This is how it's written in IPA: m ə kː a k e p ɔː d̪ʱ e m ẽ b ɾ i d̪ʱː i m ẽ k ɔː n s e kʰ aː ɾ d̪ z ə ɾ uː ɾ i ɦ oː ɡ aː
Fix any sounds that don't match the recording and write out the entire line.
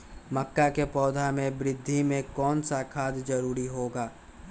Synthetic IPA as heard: m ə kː a k e p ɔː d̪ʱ a m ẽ b ɾ ɪ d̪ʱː i m ẽ k ɔː n s a kʰ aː d̪ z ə ɾ uː ɾ i ɦ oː ɡ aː